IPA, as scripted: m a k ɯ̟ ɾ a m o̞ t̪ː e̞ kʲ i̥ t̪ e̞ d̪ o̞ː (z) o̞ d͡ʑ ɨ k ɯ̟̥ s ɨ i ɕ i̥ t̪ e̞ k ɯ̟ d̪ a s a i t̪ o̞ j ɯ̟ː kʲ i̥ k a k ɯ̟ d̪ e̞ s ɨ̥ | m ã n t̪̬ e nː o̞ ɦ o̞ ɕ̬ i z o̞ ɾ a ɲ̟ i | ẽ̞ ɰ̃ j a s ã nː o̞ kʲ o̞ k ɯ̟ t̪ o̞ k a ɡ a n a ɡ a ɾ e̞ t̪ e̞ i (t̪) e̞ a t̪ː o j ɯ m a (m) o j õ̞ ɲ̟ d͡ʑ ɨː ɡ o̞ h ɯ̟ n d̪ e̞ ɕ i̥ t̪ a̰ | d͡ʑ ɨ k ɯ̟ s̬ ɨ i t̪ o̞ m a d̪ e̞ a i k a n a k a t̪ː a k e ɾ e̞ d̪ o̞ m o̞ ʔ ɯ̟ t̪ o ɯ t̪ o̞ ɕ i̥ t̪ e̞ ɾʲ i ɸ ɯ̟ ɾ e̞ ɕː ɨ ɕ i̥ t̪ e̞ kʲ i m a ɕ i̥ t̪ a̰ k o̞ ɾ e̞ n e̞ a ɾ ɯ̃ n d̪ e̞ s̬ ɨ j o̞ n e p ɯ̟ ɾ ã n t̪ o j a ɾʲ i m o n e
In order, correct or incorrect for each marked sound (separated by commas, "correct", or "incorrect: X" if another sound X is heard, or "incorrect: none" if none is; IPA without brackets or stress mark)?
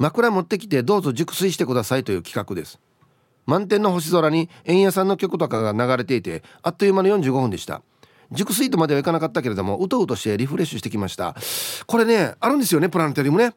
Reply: correct, correct, incorrect: n